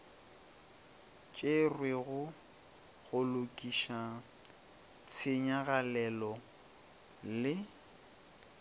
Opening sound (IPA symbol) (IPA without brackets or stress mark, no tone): t͡ʃʼ